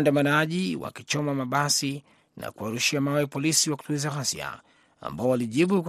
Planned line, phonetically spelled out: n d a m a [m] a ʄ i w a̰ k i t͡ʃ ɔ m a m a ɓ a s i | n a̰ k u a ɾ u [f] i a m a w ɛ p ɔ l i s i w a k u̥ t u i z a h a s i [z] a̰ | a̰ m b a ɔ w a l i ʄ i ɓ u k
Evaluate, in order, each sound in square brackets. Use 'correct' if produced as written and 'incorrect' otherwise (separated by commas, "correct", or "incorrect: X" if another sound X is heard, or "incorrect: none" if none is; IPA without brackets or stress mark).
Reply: incorrect: n, incorrect: ʃ, incorrect: none